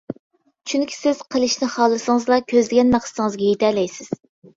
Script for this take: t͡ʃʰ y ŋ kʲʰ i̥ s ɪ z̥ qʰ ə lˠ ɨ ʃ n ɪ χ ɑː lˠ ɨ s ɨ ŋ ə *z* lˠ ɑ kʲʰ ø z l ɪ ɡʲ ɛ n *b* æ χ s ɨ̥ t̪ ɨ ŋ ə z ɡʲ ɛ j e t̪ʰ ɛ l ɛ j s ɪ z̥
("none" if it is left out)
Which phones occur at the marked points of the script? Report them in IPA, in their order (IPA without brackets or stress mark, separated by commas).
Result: z, m